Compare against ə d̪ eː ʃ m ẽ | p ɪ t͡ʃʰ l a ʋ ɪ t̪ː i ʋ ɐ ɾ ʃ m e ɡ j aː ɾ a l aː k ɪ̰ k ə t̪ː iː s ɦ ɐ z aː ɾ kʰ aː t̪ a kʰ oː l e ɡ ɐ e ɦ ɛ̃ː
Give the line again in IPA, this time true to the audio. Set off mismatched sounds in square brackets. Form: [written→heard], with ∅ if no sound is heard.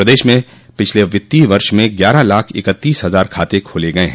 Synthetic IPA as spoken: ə d̪ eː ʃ m ẽ | p ɪ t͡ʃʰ l [a→e] ʋ ɪ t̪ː i ʋ ɐ ɾ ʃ m [e→ẽ] ɡ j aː ɾ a l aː [k→kʰ] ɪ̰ k ə t̪ː iː s ɦ ɐ z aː ɾ kʰ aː t̪ [a→e] kʰ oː l e ɡ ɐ e ɦ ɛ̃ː